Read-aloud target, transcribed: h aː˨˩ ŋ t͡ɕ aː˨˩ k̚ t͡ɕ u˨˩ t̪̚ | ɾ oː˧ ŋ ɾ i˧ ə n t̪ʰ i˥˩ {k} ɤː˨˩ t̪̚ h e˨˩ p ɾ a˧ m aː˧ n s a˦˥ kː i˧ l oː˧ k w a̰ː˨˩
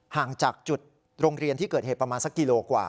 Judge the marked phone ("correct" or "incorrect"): correct